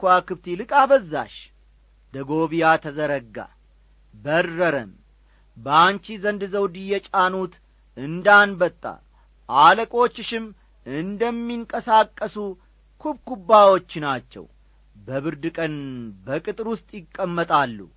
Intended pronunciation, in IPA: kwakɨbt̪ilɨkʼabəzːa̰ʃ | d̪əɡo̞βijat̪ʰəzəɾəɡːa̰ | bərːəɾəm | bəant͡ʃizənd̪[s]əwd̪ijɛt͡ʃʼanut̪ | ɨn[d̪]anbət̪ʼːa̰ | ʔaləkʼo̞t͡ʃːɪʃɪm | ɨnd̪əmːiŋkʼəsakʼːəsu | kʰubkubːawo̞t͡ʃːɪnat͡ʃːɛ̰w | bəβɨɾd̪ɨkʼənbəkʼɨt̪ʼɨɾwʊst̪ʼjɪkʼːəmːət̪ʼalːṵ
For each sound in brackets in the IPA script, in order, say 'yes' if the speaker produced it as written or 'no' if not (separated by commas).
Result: no, yes